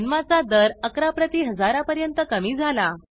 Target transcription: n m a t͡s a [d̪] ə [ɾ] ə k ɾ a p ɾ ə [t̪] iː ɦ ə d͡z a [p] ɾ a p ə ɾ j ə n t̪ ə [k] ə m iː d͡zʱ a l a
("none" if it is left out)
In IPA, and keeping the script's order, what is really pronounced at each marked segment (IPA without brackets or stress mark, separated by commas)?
d̪, ɾ, t̪, none, k